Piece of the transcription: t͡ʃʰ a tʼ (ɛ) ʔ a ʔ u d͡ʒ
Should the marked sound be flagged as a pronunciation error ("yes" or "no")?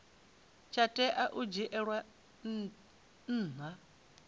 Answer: no